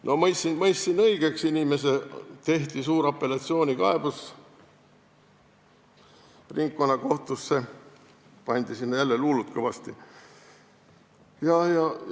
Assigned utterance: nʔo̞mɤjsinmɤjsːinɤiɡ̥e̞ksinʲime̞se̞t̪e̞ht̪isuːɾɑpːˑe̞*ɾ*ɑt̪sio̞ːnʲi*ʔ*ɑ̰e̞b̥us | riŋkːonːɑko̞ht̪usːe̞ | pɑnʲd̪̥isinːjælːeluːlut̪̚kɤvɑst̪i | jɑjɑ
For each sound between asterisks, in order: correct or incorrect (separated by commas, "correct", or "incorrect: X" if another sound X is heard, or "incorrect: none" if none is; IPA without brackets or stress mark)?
incorrect: l, incorrect: k